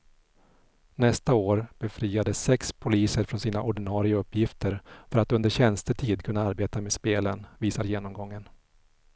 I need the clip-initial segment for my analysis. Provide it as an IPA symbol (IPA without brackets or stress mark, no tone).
n